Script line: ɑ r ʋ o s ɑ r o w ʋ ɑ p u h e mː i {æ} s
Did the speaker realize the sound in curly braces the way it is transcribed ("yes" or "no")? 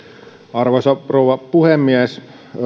yes